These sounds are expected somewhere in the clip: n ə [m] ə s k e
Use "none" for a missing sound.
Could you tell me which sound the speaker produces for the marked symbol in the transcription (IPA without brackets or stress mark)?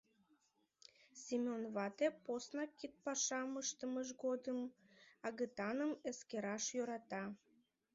m